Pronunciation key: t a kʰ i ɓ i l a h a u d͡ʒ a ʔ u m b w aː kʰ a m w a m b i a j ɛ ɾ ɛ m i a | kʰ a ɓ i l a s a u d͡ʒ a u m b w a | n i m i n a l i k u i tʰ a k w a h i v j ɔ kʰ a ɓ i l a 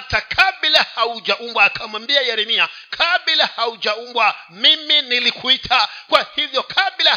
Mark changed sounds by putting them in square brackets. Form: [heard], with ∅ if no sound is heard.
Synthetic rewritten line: t a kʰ [a] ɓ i l a h a u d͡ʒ a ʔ u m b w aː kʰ a m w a m b i a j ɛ ɾ ɛ m i a | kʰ a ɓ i l a [h] a u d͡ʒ a u m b w a | [m] i m i n [i] l i k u i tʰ a k w a h i v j ɔ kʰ a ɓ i l a